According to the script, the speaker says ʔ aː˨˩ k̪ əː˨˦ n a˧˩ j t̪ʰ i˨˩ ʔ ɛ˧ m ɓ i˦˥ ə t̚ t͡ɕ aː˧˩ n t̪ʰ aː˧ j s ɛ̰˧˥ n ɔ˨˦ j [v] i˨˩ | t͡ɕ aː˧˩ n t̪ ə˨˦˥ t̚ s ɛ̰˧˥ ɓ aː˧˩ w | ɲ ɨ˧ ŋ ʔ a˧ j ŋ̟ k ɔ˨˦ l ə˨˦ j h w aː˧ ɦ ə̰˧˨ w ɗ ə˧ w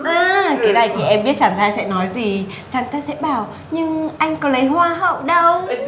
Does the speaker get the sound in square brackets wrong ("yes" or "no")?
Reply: yes